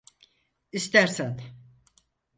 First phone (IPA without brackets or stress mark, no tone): i